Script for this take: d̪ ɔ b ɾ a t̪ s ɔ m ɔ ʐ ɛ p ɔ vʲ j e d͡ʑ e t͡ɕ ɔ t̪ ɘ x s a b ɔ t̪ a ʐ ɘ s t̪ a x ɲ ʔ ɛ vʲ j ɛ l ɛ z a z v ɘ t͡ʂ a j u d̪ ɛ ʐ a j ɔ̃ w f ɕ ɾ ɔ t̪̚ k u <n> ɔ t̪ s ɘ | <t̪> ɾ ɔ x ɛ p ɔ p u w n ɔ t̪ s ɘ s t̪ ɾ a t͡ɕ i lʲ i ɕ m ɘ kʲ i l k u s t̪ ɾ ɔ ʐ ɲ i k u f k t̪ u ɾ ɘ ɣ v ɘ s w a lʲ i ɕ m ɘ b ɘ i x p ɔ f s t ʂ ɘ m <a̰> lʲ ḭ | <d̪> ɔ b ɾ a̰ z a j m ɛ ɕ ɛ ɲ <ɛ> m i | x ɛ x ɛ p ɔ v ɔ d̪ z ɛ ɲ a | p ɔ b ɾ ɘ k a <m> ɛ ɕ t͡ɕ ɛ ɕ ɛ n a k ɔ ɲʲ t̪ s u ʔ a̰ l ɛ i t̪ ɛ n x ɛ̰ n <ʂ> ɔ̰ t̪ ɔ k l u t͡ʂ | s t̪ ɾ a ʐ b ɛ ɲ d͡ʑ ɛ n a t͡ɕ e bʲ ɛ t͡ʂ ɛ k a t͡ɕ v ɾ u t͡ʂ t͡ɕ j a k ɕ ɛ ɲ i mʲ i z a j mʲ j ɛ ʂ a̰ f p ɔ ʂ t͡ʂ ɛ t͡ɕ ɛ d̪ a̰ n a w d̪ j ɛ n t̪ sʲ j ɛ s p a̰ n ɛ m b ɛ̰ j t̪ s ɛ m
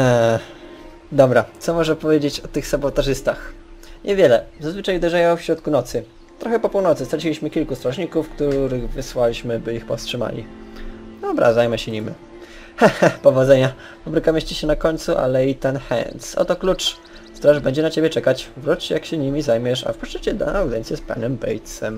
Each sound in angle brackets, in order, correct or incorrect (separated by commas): correct, correct, correct, correct, incorrect, correct, incorrect